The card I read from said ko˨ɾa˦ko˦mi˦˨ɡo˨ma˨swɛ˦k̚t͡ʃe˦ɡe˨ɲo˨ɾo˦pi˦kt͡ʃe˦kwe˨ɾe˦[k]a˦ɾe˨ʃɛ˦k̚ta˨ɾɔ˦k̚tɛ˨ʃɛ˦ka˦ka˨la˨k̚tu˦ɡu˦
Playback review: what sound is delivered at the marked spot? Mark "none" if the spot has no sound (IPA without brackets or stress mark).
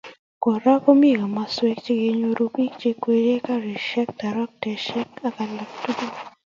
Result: k